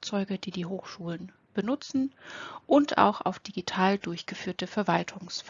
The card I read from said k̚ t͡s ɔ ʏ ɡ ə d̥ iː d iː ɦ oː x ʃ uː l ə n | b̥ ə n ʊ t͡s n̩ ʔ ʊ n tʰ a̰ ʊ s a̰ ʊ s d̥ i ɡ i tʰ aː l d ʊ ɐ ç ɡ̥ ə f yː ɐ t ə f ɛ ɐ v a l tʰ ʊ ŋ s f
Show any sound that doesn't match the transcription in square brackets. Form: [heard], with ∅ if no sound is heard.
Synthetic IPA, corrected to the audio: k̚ t͡s ɔ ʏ ɡ ə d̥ iː d iː ɦ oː x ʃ uː l ə n | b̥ ə n ʊ t͡s n̩ ʔ ʊ n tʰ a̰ ʊ [x] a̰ ʊ [f] d̥ i ɡ i tʰ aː l d ʊ ɐ ç ɡ̥ ə f yː ɐ t ə f ɛ ɐ v a l tʰ ʊ ŋ s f